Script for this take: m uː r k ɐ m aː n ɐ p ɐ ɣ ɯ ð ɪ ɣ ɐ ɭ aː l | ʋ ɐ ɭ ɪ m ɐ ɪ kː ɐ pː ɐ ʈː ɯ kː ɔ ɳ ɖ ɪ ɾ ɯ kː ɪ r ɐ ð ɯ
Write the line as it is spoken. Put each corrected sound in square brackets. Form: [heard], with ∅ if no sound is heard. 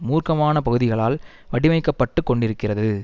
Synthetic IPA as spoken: m uː r k ɐ m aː n ɐ p ɐ ɣ ɯ ð ɪ ɣ ɐ ɭ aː l | ʋ ɐ [ɽ] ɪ m ɐ ɪ kː ɐ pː ɐ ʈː ɯ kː ɔ ɳ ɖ ɪ ɾ ɯ kː ɪ r ɐ ð ɯ